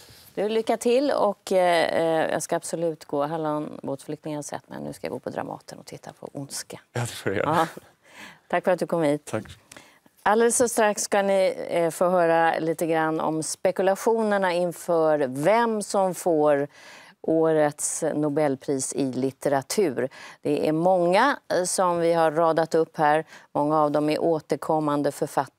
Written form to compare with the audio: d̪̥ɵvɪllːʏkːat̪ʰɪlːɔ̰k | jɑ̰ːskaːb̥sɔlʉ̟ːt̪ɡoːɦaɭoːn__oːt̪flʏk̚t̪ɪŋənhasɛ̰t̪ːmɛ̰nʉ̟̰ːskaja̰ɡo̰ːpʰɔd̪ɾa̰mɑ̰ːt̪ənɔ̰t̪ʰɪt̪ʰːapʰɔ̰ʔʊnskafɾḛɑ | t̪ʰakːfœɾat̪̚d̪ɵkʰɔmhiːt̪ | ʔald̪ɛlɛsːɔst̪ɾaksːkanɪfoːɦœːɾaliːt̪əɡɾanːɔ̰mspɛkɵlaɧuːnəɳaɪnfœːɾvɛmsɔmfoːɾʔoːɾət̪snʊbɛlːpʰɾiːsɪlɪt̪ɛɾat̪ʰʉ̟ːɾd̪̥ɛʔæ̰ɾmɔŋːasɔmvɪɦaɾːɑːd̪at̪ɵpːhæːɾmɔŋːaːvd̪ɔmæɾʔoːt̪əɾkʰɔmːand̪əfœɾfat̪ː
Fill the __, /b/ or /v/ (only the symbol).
b